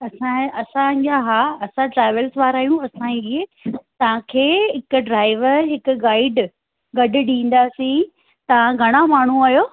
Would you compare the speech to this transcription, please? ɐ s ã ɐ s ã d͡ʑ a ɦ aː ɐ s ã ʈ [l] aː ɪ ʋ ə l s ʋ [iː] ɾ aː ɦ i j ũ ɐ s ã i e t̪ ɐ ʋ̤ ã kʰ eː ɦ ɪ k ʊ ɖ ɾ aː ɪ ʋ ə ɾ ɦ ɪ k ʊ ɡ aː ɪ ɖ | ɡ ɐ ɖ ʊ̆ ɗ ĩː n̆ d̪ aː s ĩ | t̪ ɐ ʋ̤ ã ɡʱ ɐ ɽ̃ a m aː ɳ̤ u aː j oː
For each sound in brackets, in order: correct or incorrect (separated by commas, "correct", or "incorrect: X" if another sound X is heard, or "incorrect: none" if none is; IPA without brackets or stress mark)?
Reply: incorrect: ɾ, incorrect: aː